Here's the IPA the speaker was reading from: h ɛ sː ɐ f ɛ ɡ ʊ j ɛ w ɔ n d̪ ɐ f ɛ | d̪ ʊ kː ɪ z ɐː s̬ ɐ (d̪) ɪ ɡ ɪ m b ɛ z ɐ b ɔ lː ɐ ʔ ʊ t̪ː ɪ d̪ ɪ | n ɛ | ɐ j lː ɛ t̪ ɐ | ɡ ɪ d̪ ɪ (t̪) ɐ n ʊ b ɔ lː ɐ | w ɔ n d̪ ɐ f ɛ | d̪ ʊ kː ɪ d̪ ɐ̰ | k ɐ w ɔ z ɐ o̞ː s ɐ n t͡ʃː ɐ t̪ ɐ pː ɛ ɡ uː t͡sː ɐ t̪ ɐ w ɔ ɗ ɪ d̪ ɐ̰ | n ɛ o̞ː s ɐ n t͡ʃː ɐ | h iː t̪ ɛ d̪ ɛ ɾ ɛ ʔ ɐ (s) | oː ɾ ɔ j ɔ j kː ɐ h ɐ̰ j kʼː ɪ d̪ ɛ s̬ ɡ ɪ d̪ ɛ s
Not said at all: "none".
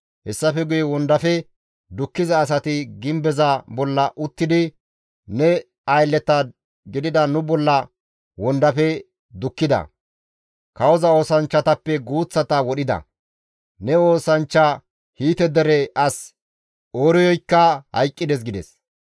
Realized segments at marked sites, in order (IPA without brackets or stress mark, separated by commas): t̪, d̪, s